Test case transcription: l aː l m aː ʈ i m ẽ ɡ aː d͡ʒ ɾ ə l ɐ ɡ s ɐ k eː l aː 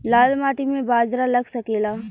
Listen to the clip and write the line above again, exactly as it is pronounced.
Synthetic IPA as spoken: l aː l m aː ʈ i m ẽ b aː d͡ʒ ɾ a l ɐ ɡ s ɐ k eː l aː